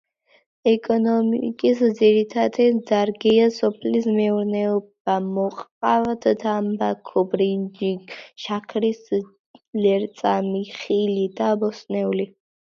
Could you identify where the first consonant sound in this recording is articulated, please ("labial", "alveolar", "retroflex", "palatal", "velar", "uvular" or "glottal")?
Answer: velar